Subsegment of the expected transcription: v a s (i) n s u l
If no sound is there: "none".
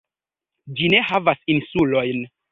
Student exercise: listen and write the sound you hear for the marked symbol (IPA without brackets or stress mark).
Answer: i